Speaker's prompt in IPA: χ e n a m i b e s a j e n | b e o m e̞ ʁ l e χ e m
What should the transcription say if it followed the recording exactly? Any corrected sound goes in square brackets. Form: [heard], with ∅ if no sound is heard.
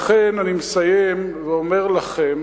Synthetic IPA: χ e n a [n] i [m] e s a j e [m] | [v] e o m e̞ ʁ l [a] χ e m